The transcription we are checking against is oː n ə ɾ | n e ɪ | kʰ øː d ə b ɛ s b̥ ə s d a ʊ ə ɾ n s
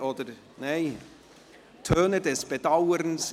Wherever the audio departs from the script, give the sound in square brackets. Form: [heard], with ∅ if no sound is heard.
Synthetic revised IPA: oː [d] ə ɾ | n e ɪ | [tʰ] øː [n] ə [d] ɛ s b̥ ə [∅] d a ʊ ə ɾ n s